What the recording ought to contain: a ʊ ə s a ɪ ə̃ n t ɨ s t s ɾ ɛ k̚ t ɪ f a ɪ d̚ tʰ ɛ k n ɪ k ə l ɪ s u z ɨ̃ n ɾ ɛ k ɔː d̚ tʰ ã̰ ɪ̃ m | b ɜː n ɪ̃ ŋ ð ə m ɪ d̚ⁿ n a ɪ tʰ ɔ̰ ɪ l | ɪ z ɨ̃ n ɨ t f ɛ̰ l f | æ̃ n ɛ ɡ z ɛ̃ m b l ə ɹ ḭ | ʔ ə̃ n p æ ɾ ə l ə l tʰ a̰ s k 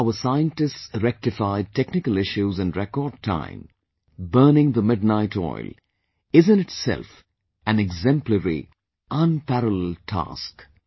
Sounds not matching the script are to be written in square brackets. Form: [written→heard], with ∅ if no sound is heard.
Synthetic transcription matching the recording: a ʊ ə s a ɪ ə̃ n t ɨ s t s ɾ ɛ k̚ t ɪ f a ɪ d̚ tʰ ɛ k n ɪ k ə l ɪ [s→ʃ] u z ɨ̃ n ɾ ɛ k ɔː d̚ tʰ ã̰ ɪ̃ m | b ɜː n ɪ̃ ŋ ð ə m ɪ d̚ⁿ n a ɪ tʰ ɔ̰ ɪ l | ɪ z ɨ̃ n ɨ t [f→s] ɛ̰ l f | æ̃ n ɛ ɡ z ɛ̃ m [b→p] l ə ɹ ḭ | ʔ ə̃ n p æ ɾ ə l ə l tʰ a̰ s k